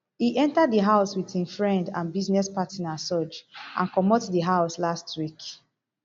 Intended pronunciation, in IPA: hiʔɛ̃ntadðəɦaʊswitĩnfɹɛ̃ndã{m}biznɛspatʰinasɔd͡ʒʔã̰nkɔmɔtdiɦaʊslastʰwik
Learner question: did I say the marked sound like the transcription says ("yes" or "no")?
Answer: no